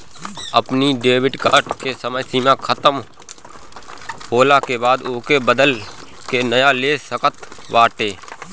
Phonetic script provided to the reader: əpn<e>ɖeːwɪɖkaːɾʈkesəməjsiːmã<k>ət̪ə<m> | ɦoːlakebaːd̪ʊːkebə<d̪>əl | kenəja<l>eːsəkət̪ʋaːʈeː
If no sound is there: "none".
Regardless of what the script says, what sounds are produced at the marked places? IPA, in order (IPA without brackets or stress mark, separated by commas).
i, kʰ, m, d̪, l